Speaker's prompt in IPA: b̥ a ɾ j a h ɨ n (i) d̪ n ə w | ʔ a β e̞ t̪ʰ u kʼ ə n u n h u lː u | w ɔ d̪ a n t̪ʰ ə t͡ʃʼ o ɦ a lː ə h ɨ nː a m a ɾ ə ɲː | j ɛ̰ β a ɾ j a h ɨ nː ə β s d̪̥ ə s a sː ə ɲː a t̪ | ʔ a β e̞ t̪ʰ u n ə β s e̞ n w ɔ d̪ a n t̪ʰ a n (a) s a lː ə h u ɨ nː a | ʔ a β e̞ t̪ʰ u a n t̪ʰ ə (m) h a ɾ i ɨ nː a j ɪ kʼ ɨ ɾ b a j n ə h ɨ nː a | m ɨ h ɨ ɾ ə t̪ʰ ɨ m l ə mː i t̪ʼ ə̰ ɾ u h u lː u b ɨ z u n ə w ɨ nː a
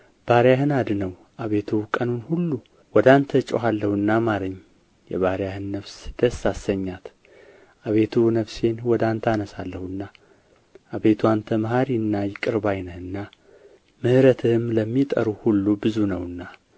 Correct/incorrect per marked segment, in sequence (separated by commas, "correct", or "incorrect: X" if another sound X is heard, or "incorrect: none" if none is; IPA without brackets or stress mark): incorrect: a, incorrect: ə, correct